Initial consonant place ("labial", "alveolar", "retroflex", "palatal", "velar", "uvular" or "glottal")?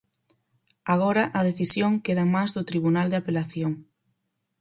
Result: velar